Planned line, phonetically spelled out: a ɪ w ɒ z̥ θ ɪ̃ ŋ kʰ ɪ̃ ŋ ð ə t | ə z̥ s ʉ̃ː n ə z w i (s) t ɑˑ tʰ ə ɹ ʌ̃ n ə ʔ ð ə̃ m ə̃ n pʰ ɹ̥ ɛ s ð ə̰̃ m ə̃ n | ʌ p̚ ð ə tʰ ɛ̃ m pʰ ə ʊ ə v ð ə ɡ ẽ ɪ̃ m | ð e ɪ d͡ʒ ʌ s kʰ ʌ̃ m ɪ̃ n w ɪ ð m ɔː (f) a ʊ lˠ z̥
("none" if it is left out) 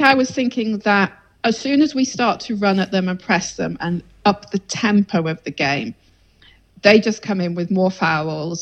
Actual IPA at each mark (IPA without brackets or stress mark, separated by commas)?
s, f